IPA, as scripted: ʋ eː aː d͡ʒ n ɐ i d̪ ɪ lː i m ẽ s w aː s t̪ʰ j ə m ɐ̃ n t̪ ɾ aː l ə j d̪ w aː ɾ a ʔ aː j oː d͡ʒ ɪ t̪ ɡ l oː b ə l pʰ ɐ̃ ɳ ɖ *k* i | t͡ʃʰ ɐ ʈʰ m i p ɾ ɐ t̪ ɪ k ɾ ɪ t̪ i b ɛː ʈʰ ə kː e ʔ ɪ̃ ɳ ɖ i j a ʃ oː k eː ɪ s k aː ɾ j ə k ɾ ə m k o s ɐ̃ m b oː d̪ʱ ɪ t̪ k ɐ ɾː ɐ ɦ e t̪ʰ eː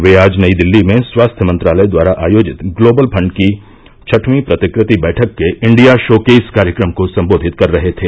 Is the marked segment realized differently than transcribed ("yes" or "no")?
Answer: no